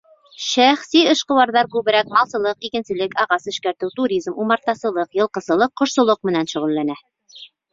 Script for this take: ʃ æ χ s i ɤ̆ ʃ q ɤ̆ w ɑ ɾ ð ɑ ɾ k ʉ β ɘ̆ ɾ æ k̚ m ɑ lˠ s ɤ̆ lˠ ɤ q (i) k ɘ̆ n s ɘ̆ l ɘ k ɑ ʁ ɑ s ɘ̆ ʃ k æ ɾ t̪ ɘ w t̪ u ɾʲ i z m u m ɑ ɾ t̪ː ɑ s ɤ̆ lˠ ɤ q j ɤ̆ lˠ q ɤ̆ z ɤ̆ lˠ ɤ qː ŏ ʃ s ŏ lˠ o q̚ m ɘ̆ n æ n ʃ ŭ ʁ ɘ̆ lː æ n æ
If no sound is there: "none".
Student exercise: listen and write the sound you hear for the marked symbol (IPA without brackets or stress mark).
i